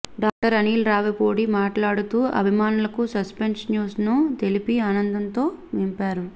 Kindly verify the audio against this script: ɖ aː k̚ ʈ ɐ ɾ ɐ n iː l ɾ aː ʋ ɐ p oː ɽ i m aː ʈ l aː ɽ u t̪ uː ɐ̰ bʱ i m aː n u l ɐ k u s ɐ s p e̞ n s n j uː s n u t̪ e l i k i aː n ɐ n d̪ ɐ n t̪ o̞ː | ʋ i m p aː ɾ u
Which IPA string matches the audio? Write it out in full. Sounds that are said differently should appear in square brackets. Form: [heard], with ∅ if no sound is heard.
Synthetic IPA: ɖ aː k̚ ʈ ɐ ɾ ɐ n iː l ɾ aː ʋ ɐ p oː ɽ i m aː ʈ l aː ɽ u t̪ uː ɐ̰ bʱ i m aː n u l ɐ k u s ɐ s p e̞ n s n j uː s n u t̪ e l i [p] i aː n ɐ n d̪ ɐ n t̪ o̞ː | ʋ i m p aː ɾ u

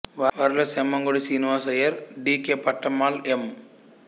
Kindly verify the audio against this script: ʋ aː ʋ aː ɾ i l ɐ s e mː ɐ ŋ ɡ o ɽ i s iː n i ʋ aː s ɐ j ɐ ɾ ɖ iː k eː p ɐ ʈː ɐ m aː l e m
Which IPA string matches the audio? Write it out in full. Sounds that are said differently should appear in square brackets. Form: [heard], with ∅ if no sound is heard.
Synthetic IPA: ʋ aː ʋ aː ɾ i l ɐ s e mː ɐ ŋ ɡ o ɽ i s iː n i ʋ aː s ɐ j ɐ ɾ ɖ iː k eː p ɐ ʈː ɐ m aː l e m

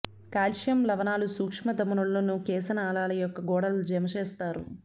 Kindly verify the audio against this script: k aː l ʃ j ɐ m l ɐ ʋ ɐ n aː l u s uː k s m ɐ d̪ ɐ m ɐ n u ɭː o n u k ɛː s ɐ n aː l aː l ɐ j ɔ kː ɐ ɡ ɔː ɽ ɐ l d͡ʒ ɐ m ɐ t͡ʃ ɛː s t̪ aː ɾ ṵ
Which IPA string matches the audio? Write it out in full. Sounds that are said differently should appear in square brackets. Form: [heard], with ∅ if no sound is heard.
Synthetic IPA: k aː l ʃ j ɐ m l ɐ ʋ ɐ n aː l u s uː k [ʂ] m ɐ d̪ ɐ m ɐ n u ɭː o n u k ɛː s ɐ n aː l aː l ɐ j ɔ kː ɐ ɡ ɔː ɽ ɐ l d͡ʒ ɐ m ɐ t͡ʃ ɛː s t̪ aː ɾ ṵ

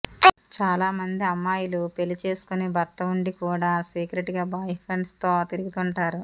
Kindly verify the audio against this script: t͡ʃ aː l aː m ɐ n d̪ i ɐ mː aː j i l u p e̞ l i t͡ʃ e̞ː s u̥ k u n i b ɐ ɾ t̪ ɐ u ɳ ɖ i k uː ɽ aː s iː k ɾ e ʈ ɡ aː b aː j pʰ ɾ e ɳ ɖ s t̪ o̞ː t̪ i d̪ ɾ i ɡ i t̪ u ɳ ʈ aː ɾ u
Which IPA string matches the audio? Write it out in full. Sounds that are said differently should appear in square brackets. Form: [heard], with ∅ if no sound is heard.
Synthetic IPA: t͡ʃ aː l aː m ɐ n d̪ i ɐ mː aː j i l u p e̞ l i t͡ʃ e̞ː s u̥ k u n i b ɐ ɾ t̪ ɐ u ɳ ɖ i k uː ɽ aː s iː k ɾ e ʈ ɡ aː b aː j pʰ ɾ e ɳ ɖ s t̪ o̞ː t̪ i [∅] ɾ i ɡ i t̪ u ɳ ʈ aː ɾ u

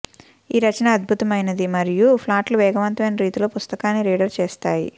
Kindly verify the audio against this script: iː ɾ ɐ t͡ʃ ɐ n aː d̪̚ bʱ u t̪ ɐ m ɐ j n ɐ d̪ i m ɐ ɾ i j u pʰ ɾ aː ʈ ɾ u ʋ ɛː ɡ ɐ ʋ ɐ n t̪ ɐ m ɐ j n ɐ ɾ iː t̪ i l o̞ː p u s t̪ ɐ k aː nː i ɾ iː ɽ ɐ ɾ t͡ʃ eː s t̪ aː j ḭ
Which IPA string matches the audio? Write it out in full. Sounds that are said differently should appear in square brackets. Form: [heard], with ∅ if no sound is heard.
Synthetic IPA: iː ɾ ɐ t͡ʃ ɐ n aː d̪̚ bʱ u t̪ ɐ m ɐ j n ɐ d̪ i m ɐ ɾ i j u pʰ [l] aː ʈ [l] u ʋ ɛː ɡ ɐ ʋ ɐ n t̪ ɐ m ɐ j n ɐ ɾ iː t̪ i l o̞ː p u s t̪ ɐ k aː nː i ɾ iː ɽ ɐ ɾ t͡ʃ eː s t̪ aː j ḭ

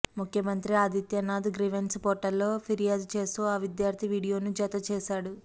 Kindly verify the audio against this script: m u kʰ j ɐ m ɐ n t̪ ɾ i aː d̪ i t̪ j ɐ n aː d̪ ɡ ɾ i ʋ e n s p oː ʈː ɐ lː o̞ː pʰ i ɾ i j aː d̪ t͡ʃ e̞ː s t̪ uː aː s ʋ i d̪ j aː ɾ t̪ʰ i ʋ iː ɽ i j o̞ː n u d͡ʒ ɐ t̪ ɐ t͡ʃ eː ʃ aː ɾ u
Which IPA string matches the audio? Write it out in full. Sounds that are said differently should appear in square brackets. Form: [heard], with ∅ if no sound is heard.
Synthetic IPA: m u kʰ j ɐ m ɐ n t̪ ɾ i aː d̪ i t̪ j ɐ n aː d̪ ɡ ɾ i ʋ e n s p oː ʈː ɐ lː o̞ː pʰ i ɾ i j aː d̪ t͡ʃ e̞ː s t̪ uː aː [∅] ʋ i d̪ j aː ɾ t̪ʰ i ʋ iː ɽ i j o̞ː n u d͡ʒ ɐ t̪ ɐ t͡ʃ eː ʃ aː [ɽ] u

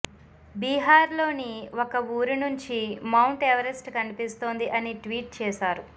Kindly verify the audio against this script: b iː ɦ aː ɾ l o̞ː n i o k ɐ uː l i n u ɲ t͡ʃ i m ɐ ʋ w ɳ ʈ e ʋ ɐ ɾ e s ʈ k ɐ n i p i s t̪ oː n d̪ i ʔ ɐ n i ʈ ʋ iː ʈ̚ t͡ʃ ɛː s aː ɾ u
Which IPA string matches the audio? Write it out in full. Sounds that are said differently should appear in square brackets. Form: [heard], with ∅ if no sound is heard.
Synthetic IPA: b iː ɦ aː ɾ l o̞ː n i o k ɐ uː [ɾ] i n u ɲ t͡ʃ i m ɐ [∅] w ɳ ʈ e ʋ ɐ ɾ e s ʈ k ɐ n i p i s t̪ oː n d̪ i ʔ ɐ n i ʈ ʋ iː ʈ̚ t͡ʃ ɛː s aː ɾ u

